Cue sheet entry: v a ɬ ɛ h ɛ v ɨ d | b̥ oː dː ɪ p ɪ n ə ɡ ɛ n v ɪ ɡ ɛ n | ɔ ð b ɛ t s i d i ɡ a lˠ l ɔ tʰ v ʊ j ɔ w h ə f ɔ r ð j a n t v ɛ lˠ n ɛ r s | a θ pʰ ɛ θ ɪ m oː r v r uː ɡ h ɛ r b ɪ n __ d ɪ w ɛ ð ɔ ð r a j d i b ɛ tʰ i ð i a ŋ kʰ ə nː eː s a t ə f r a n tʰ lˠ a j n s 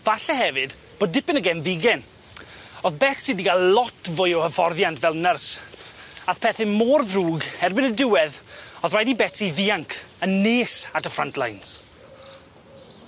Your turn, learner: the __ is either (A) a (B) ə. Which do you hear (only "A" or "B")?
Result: B